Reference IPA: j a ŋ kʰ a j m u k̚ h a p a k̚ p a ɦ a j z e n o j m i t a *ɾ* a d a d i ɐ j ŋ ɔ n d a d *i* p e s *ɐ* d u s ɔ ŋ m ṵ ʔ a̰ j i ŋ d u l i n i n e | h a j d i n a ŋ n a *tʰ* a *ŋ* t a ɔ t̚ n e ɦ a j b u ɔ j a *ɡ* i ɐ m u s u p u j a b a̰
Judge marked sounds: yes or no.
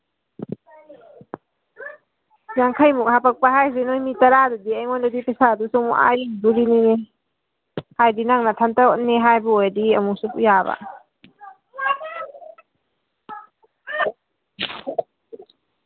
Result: yes, yes, no, yes, no, no

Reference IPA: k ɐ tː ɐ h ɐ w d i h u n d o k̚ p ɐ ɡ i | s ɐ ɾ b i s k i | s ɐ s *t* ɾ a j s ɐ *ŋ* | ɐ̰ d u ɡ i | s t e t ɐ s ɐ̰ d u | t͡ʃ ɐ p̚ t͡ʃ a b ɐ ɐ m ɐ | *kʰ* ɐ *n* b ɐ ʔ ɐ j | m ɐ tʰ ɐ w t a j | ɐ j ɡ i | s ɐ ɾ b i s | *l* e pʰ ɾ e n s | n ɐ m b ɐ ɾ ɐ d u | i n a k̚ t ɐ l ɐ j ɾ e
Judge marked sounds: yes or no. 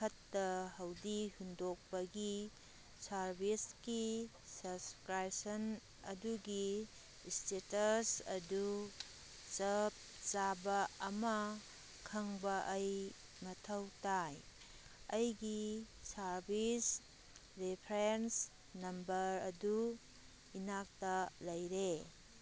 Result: no, no, yes, no, no

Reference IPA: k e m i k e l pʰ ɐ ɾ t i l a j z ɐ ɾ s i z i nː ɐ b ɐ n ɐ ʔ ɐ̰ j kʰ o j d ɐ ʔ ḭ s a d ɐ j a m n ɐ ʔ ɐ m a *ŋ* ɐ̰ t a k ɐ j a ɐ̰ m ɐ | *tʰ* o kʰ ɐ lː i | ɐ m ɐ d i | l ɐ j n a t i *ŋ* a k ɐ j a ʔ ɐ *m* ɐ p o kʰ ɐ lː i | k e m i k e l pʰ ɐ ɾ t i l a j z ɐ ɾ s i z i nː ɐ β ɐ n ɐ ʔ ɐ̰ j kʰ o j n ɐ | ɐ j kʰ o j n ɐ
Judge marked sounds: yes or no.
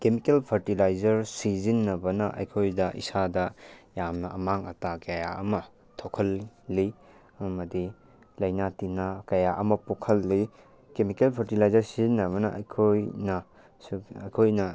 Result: yes, yes, no, yes

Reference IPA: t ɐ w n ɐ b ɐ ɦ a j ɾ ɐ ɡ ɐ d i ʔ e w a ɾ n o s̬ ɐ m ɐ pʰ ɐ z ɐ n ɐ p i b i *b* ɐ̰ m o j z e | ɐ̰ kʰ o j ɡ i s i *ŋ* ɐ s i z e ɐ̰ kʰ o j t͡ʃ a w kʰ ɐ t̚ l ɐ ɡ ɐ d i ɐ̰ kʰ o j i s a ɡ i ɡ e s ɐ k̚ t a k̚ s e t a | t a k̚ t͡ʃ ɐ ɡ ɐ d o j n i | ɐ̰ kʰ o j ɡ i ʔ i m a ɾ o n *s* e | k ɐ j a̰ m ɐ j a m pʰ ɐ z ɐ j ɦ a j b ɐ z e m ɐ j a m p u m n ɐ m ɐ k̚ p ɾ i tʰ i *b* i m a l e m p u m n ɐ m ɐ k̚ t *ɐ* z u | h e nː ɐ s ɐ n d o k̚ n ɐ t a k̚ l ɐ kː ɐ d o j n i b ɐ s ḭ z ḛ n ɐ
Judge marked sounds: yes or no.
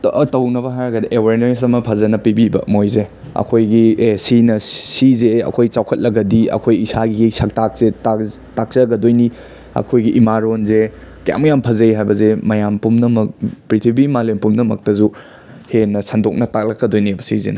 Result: yes, no, no, yes, yes

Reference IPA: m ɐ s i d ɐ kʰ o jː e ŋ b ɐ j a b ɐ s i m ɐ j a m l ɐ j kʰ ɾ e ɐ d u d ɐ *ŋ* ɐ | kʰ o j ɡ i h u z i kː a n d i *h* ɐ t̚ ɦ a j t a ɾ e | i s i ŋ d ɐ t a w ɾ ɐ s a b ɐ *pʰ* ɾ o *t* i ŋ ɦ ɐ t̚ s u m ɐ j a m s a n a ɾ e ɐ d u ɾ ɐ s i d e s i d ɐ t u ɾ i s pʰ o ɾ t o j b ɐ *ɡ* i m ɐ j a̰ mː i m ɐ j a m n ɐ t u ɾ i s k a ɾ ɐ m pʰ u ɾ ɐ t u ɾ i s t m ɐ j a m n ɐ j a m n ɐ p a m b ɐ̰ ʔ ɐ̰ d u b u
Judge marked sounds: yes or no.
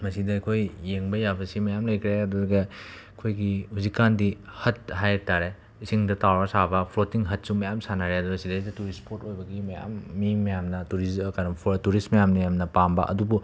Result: no, yes, yes, yes, yes

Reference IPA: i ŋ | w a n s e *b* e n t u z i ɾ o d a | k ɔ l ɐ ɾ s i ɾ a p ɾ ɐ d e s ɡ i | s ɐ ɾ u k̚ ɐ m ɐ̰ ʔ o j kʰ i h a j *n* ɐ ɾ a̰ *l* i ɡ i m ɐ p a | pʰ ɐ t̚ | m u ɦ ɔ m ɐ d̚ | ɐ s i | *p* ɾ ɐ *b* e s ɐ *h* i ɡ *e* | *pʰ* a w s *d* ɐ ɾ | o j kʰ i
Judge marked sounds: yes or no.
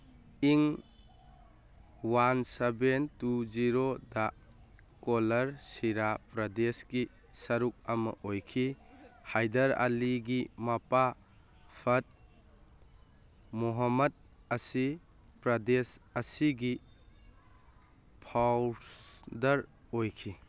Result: yes, no, yes, yes, no, no, no, yes, yes

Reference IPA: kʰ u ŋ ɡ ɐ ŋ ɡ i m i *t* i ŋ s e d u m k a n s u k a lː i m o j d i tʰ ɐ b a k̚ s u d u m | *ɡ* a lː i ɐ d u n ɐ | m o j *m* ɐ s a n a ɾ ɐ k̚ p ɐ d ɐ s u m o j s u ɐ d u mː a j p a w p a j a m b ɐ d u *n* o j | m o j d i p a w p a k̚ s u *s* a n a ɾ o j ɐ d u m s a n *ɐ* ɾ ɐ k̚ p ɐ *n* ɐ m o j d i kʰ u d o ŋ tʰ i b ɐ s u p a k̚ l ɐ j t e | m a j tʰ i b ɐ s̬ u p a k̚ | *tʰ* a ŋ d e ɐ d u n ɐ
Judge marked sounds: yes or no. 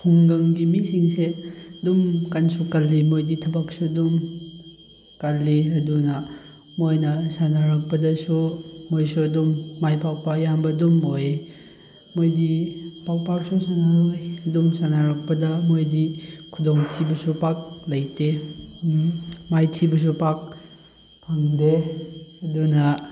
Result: no, no, no, no, yes, no, no, no

